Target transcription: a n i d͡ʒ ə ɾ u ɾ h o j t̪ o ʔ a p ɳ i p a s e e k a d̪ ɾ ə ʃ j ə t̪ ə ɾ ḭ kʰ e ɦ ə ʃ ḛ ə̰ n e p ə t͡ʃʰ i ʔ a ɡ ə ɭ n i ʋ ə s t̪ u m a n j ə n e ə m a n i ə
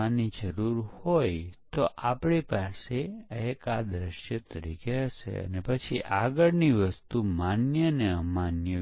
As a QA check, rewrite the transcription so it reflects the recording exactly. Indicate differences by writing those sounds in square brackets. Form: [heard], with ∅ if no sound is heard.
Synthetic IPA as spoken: a n i d͡ʒ ə ɾ u ɾ h o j t̪ o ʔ a p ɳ i p a s e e k a d̪ ɾ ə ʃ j ə t̪ ə ɾ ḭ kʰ e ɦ ə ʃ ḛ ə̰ n e p ə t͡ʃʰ i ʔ a ɡ ə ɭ n i ʋ ə s t̪ u m a n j ə n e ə m a n [j] ə